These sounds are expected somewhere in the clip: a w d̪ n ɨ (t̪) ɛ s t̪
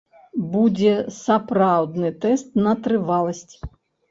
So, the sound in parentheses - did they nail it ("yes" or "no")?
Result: yes